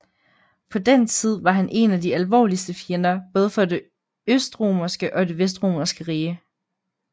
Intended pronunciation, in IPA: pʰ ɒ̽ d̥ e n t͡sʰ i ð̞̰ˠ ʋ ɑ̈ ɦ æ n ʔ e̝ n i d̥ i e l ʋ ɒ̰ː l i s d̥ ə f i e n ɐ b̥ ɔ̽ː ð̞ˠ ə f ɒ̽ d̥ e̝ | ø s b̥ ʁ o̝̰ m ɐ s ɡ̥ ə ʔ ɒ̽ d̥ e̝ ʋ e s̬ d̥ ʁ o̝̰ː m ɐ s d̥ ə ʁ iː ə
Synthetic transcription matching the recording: pʰ ɒ̽ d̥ e n t͡sʰ i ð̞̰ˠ ʋ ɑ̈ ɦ æ n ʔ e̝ n æ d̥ i æ l ʋ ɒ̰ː l i s d̥ ə f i e n ɐ b̥ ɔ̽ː ð̞ˠ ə f ɒ̽ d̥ e̝ | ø s d̥ ʁ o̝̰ m ɐ s ɡ̥ ə ʔ ɒ̽ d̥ e̝ ʋ e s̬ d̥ ʁ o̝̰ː m ɐ s ɡ̥ ə ʁ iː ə